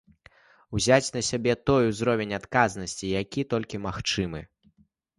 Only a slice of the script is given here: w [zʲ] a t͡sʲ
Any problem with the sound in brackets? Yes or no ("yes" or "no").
no